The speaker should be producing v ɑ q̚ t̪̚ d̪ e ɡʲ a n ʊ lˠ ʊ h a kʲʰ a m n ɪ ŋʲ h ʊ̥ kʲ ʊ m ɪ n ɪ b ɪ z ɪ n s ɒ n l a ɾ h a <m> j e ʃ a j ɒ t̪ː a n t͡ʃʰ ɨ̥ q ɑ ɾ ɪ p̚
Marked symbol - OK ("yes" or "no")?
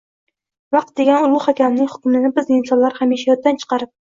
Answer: yes